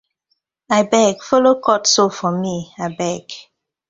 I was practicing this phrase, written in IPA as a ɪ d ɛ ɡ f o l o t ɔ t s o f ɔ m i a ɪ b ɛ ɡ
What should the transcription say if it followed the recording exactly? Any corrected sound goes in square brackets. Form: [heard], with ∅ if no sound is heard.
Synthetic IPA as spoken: a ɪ [b] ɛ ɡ f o l o [k] ɔ t s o f ɔ m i a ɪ b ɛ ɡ